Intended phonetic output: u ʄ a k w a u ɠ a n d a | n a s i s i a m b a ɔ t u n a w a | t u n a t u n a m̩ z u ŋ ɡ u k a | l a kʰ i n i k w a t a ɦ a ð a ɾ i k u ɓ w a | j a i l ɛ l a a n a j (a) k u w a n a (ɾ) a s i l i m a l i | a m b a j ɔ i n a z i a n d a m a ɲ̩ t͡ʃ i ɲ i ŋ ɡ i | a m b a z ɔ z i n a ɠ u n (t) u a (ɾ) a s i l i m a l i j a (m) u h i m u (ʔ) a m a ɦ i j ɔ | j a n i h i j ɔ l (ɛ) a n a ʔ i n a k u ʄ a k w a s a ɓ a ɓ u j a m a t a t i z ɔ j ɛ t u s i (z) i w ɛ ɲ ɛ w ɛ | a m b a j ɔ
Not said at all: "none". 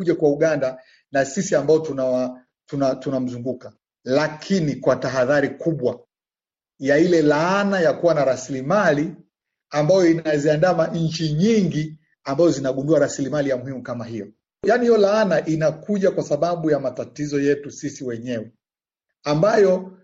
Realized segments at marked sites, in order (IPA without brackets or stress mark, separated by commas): a, ɾ, d, ɾ, m, k, a, s